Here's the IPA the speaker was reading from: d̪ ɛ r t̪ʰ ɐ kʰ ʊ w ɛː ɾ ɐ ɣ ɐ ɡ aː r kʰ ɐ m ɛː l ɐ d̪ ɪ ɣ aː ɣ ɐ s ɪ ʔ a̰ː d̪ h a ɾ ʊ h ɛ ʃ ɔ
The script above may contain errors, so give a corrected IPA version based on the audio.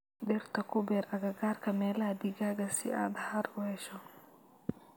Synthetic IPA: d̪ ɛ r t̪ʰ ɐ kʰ ʊ b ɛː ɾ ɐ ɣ ɐ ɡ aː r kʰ ɐ m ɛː l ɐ d̪ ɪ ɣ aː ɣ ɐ s ɪ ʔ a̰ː d̪ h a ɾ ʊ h ɛ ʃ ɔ

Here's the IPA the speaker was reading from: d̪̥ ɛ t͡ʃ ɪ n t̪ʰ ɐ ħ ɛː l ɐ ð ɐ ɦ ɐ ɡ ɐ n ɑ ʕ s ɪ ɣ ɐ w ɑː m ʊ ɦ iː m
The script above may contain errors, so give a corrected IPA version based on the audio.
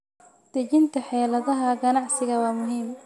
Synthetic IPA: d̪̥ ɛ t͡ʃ ɪ n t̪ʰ ɐ ħ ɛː l ɐ ð ɐ ɦ ɐ ɡ ɐ n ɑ ʕ s ɪ ɣ ɐ w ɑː m ʊ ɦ iː m

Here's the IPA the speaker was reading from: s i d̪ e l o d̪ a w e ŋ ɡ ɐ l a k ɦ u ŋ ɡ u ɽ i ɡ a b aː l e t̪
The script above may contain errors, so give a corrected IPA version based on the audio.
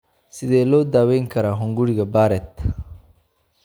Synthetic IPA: s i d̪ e l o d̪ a w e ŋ k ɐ ɾ a ɦ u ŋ ɡ u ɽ i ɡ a b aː ɾ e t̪

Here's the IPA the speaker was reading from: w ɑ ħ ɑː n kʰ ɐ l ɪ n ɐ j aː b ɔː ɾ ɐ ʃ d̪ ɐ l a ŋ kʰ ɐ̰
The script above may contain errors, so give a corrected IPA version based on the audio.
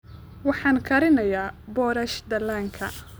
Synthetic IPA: w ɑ ħ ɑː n kʰ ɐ ɾ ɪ n ɐ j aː b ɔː ɾ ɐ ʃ d̪ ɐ l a ŋ kʰ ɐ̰

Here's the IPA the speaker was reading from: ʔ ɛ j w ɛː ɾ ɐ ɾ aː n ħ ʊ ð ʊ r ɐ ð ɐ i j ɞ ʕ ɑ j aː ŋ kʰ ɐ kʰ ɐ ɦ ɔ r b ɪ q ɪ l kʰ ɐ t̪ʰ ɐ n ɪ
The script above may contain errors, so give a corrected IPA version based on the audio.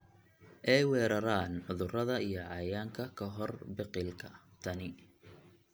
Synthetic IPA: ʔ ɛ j w ɛː ɾ ɐ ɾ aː n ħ ʊ ð ʊ r ɐ ð ɐ i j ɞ ʕ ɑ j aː ŋ kʰ ɐ kʰ ɐ ɦ ɔ r b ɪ q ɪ l kʰ ɐ t̪ʰ ɐ n ɪ

